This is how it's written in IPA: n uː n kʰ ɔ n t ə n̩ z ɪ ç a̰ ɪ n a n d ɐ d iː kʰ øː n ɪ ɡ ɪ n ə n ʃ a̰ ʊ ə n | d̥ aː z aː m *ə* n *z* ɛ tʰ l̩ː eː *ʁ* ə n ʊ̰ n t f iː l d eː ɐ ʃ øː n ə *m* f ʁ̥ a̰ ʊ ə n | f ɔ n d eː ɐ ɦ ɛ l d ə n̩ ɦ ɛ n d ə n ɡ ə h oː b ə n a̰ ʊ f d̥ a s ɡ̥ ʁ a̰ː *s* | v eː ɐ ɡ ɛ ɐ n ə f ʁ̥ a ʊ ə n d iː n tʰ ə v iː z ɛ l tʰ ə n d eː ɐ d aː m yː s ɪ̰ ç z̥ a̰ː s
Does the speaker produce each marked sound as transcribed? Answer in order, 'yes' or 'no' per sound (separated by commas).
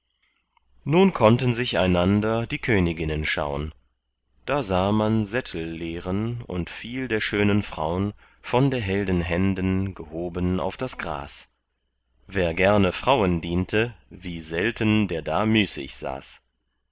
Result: no, yes, yes, no, yes